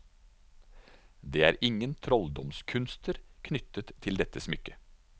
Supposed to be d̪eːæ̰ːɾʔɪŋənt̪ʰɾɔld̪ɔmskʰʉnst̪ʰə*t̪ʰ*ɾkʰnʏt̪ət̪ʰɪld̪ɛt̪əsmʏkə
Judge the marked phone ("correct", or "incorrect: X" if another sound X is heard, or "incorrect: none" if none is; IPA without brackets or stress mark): incorrect: none